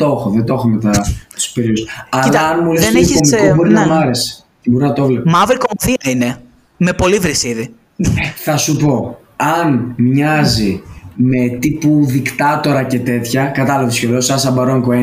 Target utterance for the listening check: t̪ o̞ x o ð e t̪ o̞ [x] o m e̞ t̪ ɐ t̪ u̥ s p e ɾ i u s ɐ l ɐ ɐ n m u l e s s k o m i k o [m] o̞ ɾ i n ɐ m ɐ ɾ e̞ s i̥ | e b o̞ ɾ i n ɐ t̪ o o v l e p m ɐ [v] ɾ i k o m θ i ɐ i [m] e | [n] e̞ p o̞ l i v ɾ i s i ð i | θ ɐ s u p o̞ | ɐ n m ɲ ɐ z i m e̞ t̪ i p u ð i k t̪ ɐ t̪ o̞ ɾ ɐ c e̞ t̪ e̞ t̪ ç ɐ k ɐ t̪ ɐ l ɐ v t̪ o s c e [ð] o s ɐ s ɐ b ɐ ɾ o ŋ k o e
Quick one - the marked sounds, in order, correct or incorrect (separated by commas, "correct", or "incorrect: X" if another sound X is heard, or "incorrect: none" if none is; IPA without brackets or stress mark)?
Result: correct, incorrect: b, correct, incorrect: n, incorrect: m, correct